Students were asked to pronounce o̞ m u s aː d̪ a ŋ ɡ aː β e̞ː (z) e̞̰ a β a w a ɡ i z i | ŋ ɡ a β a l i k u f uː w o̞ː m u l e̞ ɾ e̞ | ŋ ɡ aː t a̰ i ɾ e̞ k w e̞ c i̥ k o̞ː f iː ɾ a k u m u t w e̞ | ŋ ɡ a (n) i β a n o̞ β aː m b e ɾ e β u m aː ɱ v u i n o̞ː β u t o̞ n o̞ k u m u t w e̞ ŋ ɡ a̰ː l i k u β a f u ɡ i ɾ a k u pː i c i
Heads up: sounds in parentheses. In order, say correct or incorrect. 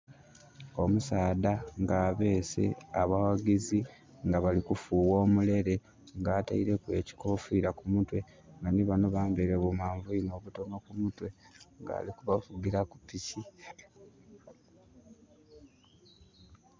incorrect: s, correct

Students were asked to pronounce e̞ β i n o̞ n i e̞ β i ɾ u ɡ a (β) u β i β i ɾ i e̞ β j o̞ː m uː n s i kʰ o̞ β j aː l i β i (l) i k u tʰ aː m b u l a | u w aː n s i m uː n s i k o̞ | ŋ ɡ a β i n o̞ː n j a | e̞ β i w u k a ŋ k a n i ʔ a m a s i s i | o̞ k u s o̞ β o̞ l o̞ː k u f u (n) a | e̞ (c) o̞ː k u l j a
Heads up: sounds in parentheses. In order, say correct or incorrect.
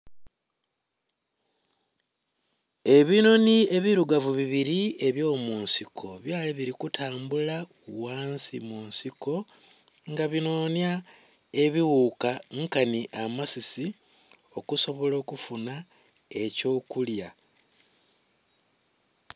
incorrect: v, incorrect: ɾ, correct, correct

